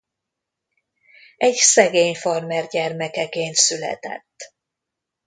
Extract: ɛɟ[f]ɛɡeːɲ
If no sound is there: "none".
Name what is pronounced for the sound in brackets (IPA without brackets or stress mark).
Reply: s